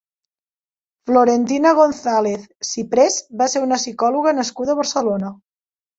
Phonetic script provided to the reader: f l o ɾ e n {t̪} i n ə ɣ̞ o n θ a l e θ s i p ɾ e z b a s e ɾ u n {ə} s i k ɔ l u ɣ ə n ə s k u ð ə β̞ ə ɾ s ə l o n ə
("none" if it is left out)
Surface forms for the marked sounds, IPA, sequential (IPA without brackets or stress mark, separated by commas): t̪, ə